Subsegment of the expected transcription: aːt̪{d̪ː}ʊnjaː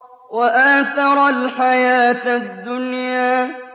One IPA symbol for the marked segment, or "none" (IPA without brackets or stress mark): d̪ː